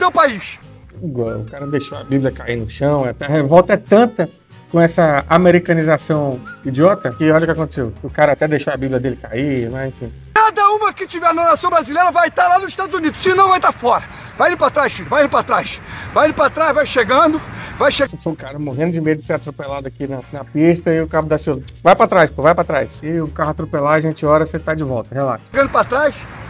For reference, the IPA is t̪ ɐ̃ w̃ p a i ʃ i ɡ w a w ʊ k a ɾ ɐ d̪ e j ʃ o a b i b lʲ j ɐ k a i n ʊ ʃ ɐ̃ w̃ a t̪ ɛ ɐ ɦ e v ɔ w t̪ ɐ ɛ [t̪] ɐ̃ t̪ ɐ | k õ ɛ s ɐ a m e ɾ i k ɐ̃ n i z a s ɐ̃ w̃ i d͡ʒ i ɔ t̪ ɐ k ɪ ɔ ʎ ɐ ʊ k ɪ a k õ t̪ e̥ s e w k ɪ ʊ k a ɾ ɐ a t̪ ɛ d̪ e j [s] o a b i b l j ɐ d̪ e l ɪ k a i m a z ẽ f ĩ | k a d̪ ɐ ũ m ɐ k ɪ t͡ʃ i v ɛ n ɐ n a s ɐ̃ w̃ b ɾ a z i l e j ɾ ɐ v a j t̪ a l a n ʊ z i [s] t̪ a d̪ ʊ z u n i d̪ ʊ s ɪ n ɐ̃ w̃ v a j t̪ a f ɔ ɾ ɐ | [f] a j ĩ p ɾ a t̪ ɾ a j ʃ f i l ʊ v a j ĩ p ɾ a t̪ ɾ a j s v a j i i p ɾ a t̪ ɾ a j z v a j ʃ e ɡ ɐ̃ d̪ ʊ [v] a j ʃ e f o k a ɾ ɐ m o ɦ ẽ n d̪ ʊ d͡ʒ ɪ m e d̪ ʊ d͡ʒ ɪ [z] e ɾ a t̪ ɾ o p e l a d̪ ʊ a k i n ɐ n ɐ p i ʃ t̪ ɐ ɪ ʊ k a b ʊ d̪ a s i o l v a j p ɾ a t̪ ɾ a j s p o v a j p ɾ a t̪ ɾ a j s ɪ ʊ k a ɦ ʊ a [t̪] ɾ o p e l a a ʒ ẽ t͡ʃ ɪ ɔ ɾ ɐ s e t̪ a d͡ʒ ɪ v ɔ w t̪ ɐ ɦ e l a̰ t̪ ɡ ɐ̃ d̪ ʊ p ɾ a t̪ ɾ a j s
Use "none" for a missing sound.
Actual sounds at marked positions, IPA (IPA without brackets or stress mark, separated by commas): t̪, ʃ, ʃ, v, v, s, t̪